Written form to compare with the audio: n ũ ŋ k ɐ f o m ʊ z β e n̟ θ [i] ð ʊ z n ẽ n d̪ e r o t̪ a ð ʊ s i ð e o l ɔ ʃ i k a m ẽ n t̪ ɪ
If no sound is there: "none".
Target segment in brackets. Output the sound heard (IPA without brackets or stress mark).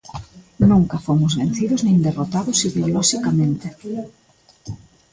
i